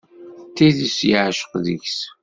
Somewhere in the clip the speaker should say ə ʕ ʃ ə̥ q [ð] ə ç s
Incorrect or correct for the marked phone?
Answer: correct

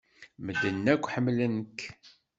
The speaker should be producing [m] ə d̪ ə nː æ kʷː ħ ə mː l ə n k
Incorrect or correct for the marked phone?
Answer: correct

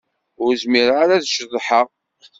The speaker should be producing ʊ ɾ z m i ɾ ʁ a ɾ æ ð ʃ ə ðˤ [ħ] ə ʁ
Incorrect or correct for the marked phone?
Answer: correct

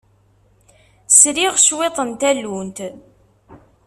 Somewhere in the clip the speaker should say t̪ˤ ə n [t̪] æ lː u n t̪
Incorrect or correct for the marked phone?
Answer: correct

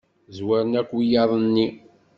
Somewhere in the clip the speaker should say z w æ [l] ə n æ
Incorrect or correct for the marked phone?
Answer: incorrect: ɾ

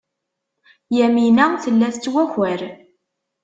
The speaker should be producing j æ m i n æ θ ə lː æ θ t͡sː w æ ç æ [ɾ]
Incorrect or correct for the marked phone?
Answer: correct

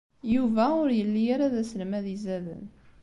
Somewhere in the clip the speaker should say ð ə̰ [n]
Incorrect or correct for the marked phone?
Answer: correct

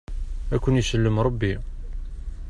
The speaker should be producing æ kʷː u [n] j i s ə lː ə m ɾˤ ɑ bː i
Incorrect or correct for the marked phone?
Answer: correct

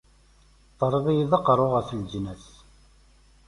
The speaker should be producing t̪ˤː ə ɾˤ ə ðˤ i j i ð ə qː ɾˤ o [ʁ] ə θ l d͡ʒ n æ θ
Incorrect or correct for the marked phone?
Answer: correct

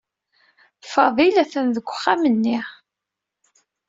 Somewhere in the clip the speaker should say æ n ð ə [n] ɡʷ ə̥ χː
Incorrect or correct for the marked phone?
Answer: incorrect: none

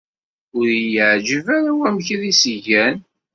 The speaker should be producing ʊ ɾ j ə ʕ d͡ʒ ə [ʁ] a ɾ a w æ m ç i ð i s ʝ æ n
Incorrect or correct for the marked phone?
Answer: incorrect: v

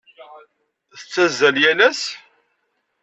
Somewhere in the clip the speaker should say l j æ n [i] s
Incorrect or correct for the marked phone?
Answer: incorrect: æ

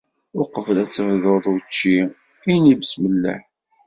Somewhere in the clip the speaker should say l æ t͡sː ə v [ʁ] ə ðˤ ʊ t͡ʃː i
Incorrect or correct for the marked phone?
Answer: incorrect: ð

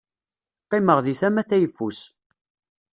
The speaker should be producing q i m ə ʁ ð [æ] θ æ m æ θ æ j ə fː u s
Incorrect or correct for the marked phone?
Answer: incorrect: i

